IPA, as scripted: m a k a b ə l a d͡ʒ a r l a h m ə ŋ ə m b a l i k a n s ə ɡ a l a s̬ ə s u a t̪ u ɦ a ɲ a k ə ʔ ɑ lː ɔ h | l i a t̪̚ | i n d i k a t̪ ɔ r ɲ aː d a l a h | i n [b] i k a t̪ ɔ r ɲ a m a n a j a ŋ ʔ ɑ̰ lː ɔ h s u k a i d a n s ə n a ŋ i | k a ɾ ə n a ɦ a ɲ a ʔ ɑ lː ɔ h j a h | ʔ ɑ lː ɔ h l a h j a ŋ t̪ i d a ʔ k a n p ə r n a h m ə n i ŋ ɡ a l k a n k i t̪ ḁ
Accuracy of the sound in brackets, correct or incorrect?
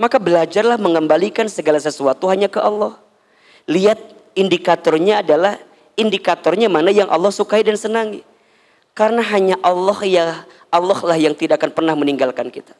incorrect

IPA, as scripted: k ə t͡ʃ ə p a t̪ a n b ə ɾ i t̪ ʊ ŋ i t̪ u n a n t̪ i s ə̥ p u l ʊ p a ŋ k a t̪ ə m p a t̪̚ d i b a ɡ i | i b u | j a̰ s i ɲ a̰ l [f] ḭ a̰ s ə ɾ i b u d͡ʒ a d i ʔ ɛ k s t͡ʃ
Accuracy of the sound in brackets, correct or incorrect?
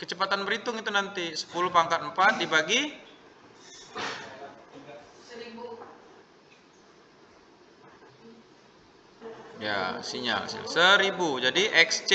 incorrect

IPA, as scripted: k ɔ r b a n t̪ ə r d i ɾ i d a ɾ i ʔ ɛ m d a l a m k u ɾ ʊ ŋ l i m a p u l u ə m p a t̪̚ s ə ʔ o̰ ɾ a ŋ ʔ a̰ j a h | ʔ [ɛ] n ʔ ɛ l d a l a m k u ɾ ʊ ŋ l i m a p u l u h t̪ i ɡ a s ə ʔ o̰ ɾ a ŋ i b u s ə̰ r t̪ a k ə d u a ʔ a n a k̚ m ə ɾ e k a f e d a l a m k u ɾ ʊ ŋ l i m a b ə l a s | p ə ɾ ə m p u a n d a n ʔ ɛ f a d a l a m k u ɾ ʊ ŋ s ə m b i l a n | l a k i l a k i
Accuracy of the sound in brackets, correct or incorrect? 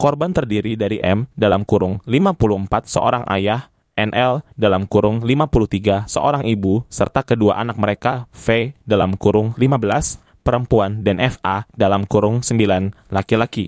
correct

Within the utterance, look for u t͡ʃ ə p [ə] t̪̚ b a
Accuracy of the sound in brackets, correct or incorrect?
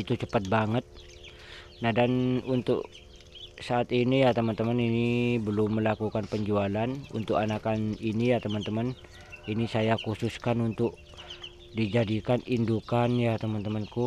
incorrect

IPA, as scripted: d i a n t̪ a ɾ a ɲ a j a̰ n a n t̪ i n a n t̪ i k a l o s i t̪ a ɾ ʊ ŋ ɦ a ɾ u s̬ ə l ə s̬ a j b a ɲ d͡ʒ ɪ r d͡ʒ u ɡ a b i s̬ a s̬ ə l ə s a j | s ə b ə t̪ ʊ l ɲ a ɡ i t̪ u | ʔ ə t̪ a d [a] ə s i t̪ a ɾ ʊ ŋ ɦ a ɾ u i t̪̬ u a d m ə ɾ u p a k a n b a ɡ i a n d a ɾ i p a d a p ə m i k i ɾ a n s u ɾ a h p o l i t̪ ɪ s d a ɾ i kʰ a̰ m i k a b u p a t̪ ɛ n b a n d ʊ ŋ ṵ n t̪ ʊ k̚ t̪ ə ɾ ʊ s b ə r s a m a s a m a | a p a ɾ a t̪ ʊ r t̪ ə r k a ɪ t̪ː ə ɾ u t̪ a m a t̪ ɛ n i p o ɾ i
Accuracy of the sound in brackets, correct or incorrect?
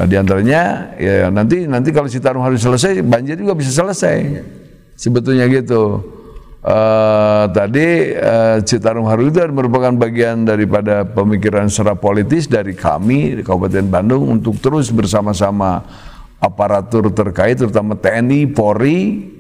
incorrect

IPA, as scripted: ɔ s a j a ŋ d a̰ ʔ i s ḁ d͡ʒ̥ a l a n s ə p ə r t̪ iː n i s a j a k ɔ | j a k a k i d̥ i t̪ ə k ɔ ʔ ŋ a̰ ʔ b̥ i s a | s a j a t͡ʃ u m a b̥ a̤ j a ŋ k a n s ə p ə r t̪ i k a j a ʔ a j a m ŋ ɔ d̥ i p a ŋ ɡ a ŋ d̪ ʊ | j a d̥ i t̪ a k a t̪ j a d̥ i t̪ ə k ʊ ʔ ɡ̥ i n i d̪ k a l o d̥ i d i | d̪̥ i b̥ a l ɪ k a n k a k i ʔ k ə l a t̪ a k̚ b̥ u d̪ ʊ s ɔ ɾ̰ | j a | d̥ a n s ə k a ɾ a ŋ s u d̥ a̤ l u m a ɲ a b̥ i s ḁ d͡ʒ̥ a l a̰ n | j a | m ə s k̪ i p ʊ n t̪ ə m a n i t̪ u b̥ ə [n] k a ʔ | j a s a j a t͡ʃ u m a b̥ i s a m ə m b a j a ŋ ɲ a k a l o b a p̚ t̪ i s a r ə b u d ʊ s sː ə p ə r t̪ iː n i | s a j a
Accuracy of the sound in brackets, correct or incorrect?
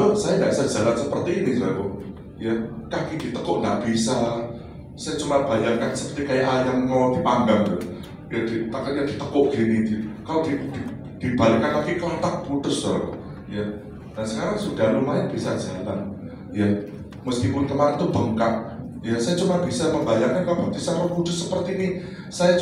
incorrect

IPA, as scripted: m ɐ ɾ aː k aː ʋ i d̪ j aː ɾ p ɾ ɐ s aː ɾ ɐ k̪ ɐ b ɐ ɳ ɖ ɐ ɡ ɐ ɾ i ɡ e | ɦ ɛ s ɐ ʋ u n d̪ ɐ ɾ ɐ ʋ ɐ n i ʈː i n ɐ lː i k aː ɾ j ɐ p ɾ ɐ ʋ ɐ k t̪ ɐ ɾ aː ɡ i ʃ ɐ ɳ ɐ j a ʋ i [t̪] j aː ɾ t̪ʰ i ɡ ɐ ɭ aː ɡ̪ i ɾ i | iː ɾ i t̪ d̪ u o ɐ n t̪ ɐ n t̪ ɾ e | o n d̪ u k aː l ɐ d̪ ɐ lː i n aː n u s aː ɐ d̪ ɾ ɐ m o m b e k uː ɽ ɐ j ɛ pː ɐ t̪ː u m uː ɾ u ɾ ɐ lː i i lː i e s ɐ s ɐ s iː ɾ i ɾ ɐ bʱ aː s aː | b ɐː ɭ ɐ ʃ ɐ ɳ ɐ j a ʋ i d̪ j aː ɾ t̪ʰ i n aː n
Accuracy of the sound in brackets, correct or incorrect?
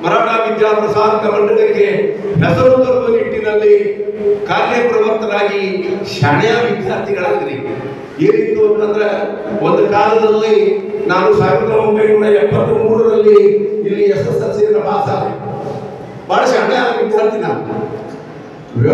incorrect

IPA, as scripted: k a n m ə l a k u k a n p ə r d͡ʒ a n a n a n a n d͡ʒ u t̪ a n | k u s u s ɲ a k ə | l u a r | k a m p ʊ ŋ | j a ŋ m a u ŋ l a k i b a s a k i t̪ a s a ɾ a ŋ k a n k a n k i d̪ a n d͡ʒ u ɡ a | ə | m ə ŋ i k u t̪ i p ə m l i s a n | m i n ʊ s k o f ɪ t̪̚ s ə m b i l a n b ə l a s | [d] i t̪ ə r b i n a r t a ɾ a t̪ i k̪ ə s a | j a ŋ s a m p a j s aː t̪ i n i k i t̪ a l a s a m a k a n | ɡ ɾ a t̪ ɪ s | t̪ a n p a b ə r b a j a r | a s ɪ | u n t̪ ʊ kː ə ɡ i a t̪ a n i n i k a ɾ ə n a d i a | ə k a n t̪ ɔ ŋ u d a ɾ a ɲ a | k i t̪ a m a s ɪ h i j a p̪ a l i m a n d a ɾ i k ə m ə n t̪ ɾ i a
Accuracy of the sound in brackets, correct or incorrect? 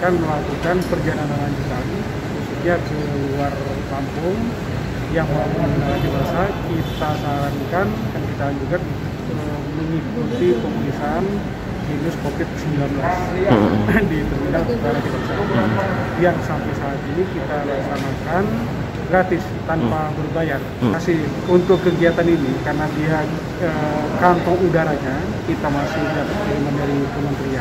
correct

